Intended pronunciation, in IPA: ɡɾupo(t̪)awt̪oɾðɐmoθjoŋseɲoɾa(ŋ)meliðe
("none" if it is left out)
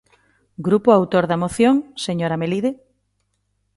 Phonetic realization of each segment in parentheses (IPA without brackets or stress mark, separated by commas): none, none